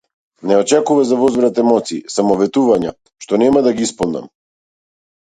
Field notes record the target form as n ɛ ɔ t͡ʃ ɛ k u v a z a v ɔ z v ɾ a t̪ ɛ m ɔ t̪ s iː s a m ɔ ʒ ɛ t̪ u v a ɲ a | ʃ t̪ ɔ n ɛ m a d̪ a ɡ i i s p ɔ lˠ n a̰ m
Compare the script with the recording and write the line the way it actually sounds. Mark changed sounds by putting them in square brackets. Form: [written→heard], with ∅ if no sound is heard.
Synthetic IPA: n ɛ ɔ t͡ʃ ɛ k u v a z a v ɔ z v ɾ a t̪ ɛ m ɔ t̪ s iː s a m ɔ [ʒ→v] ɛ t̪ u v a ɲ a | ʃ t̪ ɔ n ɛ m a d̪ a ɡ i i s p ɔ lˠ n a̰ m